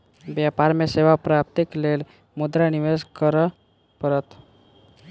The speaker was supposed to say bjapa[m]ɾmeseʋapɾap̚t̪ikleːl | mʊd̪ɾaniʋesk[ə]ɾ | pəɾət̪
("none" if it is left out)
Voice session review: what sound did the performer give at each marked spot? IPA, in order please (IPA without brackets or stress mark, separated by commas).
none, ə